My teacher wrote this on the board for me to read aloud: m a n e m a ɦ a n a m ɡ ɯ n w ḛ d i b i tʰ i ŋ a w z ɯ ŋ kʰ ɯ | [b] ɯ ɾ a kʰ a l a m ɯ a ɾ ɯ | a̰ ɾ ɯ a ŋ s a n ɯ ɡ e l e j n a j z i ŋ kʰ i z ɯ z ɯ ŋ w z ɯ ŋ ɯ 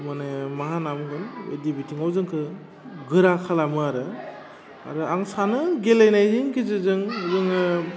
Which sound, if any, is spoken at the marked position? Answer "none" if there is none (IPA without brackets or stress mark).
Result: ɡ